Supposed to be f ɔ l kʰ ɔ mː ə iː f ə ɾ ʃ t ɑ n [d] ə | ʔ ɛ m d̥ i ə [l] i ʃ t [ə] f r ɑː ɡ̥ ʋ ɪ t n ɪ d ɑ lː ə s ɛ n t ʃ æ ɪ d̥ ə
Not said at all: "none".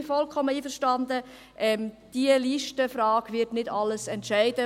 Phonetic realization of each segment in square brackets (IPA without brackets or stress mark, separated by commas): d, l, ə